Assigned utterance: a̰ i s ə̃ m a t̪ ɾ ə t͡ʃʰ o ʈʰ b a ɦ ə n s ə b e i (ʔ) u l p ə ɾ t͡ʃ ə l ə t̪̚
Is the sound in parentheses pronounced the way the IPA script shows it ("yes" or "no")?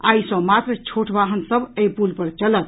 no